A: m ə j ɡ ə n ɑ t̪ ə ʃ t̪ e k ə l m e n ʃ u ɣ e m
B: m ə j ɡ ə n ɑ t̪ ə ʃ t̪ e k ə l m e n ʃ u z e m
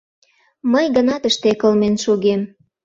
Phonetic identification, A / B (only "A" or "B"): A